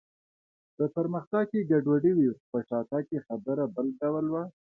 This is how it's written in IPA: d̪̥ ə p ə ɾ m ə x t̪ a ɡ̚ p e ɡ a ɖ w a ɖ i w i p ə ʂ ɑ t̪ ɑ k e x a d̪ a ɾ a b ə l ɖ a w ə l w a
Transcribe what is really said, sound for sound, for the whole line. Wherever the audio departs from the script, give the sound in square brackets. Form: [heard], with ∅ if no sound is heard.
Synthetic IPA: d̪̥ ə p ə ɾ m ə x t̪ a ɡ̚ [k] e ɡ a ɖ w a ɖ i w i p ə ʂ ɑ t̪ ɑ k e x a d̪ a ɾ a b ə l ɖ a w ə l w a